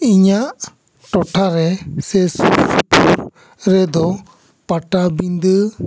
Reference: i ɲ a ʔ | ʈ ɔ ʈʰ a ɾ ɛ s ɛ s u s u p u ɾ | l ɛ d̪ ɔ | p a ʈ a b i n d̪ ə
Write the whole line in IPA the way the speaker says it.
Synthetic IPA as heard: i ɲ a ʔ | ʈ ɔ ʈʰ a ɾ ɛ s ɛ s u s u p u ɾ | ɾ ɛ d̪ ɔ | p a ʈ a b i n d̪ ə